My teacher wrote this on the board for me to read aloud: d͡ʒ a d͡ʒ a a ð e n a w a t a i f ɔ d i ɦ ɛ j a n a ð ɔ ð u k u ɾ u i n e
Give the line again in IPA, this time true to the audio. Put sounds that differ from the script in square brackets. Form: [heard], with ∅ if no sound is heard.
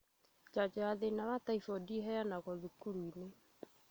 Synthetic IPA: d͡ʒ a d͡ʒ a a ð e n a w a t a i f ɔ d i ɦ ɛ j a n a [ɣ] ɔ ð u k u ɾ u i n e

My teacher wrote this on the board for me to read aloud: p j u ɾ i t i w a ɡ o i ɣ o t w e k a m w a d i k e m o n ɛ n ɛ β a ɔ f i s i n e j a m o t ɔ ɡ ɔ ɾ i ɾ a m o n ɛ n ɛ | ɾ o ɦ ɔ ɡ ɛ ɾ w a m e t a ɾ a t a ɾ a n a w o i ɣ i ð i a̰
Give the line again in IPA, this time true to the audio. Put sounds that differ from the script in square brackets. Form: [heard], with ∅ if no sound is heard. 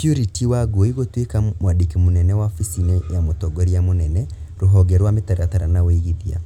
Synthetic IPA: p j u ɾ i t i w a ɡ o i ɣ o t w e k a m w a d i k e m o n ɛ n ɛ [w] a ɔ f i s i n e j a m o t ɔ ɡ ɔ ɾ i [∅] a m o n ɛ n ɛ | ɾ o ɦ ɔ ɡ ɛ ɾ w a m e t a ɾ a t a ɾ a n a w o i ɣ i ð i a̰

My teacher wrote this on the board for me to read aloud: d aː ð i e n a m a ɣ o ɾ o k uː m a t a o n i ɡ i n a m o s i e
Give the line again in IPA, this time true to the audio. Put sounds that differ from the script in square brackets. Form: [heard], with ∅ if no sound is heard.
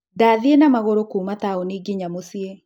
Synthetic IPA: d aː ð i e n a m a ɣ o ɾ o k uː m a t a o n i ɡ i [ɲ] a m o s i e

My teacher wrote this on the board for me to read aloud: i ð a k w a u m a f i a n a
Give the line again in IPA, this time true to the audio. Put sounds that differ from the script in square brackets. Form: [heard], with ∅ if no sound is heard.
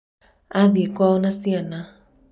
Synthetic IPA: [a] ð [i] k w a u [n] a [s] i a n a

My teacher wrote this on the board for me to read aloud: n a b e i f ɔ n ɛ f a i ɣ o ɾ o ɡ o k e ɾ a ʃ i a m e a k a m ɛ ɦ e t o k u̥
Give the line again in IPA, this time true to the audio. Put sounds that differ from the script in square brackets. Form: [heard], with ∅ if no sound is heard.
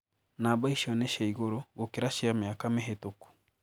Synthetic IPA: n a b [a] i [ʃ] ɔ n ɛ [ʃ] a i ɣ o ɾ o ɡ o k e ɾ a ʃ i a m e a k a m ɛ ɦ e t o k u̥

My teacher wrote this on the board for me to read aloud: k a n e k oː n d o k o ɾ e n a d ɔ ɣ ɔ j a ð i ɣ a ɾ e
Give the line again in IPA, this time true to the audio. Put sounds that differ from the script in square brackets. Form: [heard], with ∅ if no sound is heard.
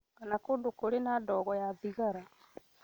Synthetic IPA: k a n [a] k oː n d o k o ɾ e n a d ɔ ɣ ɔ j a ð i ɣ a ɾ [a]

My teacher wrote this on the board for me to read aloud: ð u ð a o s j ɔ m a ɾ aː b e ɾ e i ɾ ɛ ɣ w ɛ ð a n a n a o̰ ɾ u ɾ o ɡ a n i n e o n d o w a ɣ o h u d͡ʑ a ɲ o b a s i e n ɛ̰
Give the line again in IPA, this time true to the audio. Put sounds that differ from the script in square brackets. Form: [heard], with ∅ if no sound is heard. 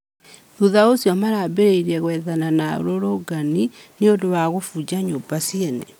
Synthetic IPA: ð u ð a o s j ɔ m a ɾ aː b e ɾ e i ɾ ɛ ɣ w ɛ ð a n a n a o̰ ɾ [o] ɾ o ɡ a n i n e o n d o w a ɣ o [f] u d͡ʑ a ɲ o b a s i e n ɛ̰

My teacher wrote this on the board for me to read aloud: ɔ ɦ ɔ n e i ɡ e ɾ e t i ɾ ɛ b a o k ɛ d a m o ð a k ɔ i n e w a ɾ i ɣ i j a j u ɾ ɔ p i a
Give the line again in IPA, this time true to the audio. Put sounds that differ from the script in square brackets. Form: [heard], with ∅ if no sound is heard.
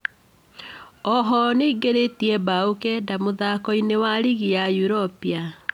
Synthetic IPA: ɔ ɦ ɔ n e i ɡ e ɾ e t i [∅] ɛ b a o k ɛ d a m o ð a k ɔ i n e w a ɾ i ɣ i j a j u ɾ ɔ p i a

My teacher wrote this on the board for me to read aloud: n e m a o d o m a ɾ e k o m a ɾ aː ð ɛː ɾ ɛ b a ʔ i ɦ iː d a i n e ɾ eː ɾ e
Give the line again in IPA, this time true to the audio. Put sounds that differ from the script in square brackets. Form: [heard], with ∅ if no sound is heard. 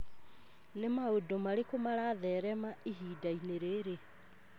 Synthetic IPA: n e m a o d o m a ɾ e k o m a ɾ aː ð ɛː ɾ ɛ [m] a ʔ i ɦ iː d a i n e ɾ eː ɾ e

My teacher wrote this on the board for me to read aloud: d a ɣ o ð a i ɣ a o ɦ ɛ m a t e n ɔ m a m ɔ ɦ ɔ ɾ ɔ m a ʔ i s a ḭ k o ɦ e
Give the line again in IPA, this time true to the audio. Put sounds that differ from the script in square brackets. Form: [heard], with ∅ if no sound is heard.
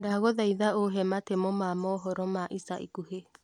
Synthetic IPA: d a ɣ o ð a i [ð] a o ɦ ɛ m a t e [m] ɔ m a m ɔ ɦ ɔ ɾ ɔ m a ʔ i s a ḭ k [u] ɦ e

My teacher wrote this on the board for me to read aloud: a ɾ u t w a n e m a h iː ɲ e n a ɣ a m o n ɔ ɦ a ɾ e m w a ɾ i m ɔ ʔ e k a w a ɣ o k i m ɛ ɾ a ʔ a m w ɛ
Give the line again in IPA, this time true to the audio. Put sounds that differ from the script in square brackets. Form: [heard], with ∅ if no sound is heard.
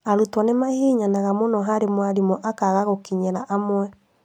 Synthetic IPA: a ɾ u t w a n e m a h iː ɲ [a] n a ɣ a m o n ɔ ɦ a ɾ e m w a ɾ i m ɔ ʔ [a] k a [ɣ] a ɣ o k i [ɲ] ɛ ɾ a ʔ a m w ɛ

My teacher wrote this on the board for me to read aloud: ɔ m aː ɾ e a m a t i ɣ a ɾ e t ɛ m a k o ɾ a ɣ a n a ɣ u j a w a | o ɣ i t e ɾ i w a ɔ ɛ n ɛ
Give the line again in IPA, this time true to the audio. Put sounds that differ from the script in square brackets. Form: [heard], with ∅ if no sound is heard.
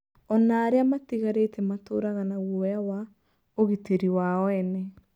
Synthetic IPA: ɔ [n] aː ɾ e a m a t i ɣ a ɾ e t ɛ m a [t] o ɾ a ɣ a n a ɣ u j a w a | o ɣ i t e ɾ i w a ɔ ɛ n ɛ

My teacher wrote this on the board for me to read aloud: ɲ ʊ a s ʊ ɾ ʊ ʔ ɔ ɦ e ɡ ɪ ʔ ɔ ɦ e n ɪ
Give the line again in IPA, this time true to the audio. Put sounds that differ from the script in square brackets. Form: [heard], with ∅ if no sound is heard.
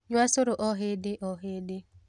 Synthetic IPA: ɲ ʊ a s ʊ ɾ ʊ ʔ ɔ ɦ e [d] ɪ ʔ ɔ ɦ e [d] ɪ

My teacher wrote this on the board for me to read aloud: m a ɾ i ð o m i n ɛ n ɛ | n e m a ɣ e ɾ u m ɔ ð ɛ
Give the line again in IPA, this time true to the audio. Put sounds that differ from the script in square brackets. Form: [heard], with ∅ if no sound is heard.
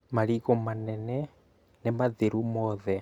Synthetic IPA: m a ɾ i [ɣ] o m [a] n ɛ n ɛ | n e m a [ð] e ɾ u m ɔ ð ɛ

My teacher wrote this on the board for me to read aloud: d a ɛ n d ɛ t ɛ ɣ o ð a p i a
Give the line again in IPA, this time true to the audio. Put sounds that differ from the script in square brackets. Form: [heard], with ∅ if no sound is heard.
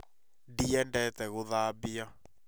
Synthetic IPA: d [i] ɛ n d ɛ t ɛ ɣ o ð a [b] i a

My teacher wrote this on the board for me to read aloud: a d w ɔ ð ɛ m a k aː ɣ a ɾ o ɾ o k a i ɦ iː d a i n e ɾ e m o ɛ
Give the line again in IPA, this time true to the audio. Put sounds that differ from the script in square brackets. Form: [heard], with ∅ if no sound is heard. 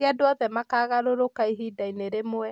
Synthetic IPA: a d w ɔ ð ɛ m a k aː ɣ a ɾ o ɾ o k a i ɦ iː d a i n e ɾ e m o ɛ

